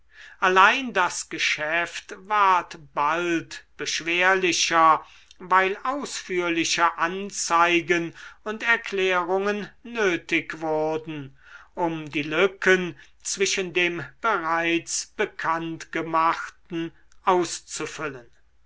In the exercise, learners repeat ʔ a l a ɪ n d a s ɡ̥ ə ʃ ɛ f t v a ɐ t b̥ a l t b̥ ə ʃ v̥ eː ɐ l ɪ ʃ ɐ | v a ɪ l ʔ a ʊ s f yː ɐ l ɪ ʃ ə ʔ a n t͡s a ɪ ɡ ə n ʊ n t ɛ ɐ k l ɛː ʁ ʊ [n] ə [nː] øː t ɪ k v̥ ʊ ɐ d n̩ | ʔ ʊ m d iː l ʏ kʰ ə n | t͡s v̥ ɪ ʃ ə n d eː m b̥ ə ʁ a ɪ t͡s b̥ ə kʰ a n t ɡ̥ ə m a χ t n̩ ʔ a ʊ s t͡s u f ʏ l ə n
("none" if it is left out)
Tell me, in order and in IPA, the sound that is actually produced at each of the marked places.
ŋ, nː

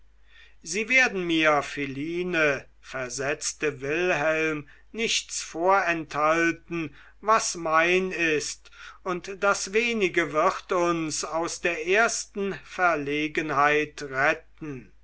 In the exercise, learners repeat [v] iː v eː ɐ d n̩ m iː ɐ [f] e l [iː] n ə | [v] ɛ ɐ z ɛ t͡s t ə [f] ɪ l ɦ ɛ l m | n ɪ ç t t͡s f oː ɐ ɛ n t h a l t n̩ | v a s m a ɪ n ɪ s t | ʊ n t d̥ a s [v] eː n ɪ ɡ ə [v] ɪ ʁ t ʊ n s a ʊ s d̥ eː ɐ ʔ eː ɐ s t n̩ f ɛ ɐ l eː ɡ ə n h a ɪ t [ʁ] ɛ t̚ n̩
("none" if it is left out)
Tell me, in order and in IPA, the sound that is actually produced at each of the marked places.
z, f, iː, f, v, v, v, ʁ

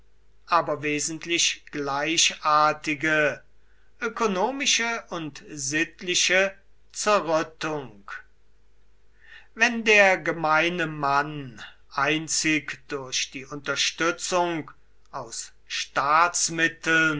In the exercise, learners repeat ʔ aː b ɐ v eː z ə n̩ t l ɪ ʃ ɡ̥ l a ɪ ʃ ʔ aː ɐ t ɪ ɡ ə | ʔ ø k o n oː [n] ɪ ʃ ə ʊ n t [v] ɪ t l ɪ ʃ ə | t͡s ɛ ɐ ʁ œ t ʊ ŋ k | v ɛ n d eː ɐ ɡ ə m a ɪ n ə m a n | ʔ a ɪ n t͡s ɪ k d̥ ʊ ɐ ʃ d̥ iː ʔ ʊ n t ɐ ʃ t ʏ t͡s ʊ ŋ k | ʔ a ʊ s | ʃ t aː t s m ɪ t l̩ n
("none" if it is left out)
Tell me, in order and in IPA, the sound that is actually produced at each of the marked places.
m, z

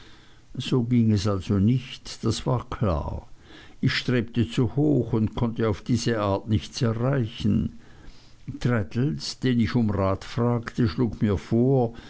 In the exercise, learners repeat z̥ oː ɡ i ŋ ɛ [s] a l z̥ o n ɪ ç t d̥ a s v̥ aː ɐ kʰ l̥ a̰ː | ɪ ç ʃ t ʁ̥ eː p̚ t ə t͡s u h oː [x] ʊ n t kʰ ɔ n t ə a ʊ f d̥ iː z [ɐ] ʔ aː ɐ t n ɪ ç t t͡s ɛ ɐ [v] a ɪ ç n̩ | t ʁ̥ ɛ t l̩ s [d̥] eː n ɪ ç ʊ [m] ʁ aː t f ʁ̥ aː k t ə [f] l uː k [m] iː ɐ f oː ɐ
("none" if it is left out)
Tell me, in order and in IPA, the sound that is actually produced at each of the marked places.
s, x, ə, ʁ, d̥, m, ʃ, m

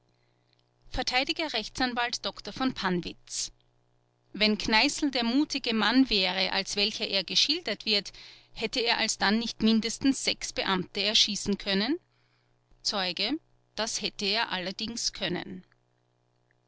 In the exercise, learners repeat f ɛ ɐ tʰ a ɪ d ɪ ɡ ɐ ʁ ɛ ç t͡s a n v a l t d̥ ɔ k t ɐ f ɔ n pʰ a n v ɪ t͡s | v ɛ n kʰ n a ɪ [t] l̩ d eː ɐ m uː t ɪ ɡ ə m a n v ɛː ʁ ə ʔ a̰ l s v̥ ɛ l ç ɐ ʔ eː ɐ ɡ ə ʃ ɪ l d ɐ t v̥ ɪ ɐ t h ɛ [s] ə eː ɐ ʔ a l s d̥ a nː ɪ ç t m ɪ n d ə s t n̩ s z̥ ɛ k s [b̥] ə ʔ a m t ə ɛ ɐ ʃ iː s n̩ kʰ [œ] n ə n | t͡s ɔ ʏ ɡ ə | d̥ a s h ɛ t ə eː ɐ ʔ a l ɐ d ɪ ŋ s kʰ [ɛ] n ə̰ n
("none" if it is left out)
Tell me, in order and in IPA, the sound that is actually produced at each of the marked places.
s, t, b̥, œ, œ

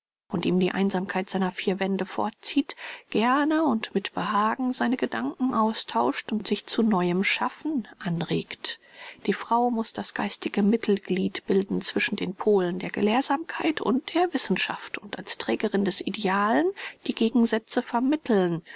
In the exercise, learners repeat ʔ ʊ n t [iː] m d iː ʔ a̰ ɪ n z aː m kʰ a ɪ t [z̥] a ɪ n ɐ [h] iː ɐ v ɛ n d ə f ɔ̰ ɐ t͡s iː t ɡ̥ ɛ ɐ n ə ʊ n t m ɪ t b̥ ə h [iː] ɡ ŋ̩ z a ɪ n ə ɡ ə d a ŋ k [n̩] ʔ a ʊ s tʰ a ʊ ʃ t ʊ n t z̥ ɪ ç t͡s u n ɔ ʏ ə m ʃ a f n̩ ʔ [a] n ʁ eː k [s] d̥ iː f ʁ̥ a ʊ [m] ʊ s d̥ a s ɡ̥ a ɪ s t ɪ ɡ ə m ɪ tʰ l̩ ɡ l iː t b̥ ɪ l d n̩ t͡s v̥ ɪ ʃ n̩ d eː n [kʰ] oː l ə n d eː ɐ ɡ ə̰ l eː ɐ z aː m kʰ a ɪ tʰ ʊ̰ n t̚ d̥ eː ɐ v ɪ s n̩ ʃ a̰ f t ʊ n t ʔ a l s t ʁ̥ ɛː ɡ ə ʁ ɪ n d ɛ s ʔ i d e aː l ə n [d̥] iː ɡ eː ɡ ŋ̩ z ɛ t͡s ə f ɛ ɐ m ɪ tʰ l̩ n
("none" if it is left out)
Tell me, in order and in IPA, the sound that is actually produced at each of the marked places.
iː, z̥, f, aː, ŋ̩, a, t, m, pʰ, d̥

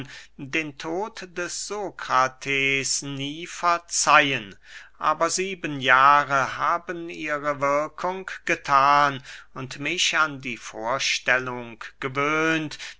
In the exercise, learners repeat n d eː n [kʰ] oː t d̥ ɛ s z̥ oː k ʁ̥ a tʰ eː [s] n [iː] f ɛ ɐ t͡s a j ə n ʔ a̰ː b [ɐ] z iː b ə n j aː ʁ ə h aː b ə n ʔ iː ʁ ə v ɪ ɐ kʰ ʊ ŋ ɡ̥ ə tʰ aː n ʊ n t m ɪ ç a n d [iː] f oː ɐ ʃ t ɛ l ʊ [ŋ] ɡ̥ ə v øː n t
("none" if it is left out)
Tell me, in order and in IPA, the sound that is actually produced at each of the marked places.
tʰ, s, iː, ɐ, iː, ŋ

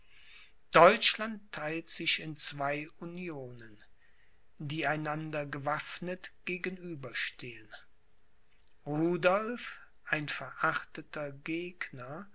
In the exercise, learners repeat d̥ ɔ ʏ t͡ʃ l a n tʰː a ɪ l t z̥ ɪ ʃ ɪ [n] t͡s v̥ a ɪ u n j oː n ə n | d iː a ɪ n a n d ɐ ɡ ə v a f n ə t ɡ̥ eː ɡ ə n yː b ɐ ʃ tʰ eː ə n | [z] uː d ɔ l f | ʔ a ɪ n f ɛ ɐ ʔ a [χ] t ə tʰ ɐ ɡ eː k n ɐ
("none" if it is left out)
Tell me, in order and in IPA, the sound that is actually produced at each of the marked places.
n, ʁ, χ

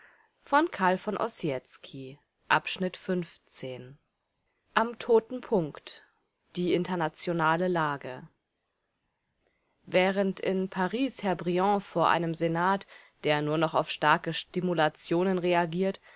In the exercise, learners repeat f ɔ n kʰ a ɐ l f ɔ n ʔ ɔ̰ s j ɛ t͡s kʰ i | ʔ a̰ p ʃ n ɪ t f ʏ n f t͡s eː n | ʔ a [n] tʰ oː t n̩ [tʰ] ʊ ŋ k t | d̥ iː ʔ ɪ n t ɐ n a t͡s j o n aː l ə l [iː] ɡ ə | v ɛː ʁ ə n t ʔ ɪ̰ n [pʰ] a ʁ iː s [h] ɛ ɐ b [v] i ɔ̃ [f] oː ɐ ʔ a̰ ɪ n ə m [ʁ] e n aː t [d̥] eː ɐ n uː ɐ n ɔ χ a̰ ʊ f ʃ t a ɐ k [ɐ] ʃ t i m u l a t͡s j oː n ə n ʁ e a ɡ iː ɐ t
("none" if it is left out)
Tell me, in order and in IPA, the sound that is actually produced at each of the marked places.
m, pʰ, aː, pʰ, h, ʁ, f, z, d̥, ə

